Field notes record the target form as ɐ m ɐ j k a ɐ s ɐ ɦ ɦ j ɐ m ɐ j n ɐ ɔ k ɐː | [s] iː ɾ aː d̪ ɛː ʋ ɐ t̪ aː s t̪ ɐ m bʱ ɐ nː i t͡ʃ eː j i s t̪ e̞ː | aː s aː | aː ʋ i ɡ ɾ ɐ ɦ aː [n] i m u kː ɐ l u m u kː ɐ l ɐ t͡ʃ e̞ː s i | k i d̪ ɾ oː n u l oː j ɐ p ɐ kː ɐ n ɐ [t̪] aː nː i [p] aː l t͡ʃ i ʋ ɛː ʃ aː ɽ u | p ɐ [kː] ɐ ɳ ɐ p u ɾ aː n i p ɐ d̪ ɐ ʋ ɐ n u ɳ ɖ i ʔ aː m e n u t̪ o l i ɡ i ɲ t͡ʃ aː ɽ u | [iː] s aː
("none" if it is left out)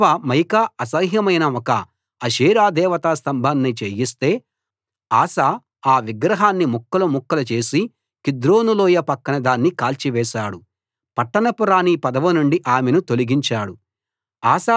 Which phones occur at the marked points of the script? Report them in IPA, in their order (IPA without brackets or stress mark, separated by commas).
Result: ʃ, nː, d̪, k, ʈː, aː